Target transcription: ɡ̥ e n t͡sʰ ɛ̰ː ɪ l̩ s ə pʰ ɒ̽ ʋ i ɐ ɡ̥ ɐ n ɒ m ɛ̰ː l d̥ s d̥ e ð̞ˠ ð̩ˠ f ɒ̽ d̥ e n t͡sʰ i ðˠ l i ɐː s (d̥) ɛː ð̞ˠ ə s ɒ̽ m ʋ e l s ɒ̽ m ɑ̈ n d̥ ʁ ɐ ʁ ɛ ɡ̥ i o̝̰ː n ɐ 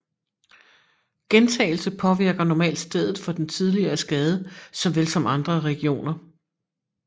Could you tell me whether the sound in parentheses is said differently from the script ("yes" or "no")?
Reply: yes